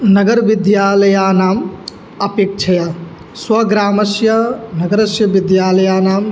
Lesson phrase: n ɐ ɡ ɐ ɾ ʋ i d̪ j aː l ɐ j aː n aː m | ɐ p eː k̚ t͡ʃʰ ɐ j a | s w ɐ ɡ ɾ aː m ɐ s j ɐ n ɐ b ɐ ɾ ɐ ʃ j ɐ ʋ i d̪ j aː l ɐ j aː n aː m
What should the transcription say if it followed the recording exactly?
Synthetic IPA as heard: n ɐ ɡ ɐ ɾ ʋ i d̪ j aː l ɐ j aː n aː m | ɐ p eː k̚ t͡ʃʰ ɐ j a | s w ɐ ɡ ɾ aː m ɐ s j ɐ n ɐ ɡ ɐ ɾ ɐ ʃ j ɐ ʋ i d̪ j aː l ɐ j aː n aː m